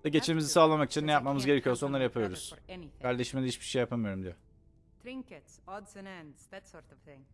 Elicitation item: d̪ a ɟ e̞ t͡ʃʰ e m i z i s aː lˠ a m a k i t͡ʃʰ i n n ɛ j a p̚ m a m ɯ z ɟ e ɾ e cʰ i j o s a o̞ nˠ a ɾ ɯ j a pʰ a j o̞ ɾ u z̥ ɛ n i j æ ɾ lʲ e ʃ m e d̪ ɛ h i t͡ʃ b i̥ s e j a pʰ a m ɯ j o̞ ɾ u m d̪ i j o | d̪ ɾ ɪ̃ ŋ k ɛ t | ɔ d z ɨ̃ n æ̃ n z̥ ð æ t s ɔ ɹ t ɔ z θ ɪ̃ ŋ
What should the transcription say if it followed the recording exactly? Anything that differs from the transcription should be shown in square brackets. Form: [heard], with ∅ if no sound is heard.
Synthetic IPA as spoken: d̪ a ɟ e̞ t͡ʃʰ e m i z i s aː lˠ a m a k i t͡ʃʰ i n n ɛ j a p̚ m a m ɯ z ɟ e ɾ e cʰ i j o s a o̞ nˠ a ɾ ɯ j a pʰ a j o̞ ɾ u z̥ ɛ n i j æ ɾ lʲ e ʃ m e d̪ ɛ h i t͡ʃ b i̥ [ʃ] e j a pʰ a m ɯ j o̞ ɾ u m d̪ i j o | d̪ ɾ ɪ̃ ŋ k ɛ t | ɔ d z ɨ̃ n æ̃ n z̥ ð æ t s ɔ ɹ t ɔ [v] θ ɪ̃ ŋ